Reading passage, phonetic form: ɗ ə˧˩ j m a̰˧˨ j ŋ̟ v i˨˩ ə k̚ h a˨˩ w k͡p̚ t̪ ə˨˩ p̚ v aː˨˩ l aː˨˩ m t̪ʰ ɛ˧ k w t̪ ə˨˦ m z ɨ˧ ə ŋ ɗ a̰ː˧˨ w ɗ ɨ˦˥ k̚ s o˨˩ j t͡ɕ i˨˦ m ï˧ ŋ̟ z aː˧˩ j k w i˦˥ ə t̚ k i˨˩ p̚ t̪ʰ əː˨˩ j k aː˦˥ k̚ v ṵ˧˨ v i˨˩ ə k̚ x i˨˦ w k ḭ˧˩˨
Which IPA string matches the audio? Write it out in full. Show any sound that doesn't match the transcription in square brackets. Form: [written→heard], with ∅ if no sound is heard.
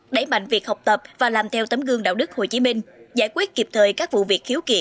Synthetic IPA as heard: ɗ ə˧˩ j m a̰˧˨ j ŋ̟ v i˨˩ ə k̚ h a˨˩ w k͡p̚ t̪ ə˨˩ p̚ v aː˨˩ l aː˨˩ m t̪ʰ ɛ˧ [k→∅] w t̪ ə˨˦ m [z→ɣ] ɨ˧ ə ŋ ɗ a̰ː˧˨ w ɗ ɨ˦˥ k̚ [s→h] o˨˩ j t͡ɕ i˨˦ m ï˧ ŋ̟ z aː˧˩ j k w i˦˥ ə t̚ k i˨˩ p̚ t̪ʰ əː˨˩ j k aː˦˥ k̚ v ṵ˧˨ v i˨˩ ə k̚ x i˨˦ w k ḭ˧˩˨